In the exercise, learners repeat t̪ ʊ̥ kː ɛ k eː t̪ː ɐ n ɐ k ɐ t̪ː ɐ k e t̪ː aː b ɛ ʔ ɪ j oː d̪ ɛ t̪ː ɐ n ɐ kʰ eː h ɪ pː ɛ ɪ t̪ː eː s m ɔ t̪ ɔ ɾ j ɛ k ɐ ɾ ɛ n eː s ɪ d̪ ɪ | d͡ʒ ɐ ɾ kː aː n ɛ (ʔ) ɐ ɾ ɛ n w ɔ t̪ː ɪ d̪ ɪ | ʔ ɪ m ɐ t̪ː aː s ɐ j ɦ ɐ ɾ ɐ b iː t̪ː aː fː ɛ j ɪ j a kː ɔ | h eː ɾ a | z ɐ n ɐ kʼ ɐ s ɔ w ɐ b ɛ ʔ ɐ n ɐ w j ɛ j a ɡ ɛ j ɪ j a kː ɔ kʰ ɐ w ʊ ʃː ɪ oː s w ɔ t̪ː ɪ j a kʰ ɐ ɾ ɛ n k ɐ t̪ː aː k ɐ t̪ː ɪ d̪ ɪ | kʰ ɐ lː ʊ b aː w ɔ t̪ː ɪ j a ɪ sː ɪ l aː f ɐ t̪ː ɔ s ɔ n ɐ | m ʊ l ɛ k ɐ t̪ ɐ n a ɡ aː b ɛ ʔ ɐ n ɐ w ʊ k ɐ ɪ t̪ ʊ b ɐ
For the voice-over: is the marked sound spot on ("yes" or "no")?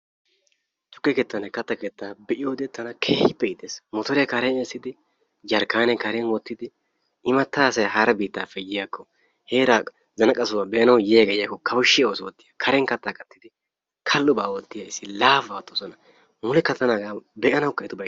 no